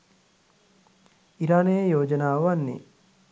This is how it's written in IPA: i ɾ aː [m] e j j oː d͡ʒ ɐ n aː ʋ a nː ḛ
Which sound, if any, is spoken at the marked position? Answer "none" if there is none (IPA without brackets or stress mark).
n